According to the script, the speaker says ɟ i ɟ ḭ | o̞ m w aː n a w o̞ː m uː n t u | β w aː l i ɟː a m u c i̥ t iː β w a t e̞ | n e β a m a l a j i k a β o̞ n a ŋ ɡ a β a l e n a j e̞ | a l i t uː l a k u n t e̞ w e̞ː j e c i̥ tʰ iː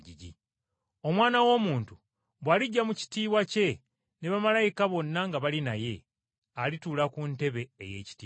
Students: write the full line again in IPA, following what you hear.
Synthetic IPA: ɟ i ɟ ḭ | o̞ m w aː n a w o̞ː m uː n t u | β w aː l i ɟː a m u c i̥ t iː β w a c e̞ | n e β a m a l a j i k a β o̞ nː a ŋ ɡ a β a l i n a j e̞ | a l i t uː l a k u n t e̞ β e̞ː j e c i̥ t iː